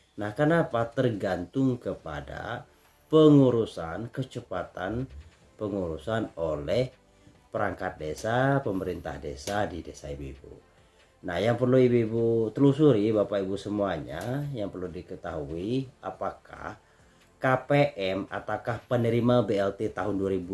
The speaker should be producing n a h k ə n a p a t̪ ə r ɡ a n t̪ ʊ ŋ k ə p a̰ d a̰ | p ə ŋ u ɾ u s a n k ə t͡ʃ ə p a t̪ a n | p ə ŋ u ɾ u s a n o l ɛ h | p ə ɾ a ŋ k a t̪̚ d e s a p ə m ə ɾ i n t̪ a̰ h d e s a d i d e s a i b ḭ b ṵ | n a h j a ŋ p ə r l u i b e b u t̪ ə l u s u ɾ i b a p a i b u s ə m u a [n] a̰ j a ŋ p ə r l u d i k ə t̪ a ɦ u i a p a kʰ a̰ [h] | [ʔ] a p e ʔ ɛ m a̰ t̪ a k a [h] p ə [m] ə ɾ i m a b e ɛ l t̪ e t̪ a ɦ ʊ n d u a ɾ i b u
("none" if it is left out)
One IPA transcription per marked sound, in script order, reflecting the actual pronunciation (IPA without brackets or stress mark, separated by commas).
ɲ, h, k, h, n